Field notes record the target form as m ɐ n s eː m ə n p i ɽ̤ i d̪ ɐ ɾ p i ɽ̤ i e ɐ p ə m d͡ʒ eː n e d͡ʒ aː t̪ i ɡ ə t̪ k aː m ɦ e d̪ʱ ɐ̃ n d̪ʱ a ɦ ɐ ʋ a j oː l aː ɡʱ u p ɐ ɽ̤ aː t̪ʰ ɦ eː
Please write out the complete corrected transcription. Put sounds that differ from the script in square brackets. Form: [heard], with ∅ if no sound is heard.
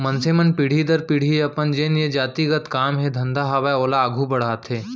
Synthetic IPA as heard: m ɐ n s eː m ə n p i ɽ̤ i d̪ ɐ ɾ p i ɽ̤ i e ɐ p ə [n] d͡ʒ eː n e d͡ʒ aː t̪ i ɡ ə t̪ k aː m ɦ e d̪ʱ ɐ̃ n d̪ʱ a ɦ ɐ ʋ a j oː l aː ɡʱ u [b] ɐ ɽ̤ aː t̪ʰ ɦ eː